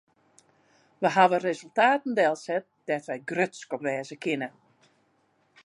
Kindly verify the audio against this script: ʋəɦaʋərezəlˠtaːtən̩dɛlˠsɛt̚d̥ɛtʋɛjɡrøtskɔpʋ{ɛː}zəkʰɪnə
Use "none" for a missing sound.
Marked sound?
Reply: ɛː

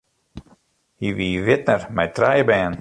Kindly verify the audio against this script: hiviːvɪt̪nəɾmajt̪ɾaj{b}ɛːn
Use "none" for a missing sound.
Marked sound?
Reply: b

